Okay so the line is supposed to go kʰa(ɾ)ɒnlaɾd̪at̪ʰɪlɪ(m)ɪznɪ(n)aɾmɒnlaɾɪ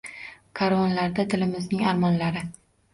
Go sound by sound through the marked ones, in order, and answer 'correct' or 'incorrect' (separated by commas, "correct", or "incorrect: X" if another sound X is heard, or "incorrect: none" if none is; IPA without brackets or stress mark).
correct, correct, incorrect: ŋ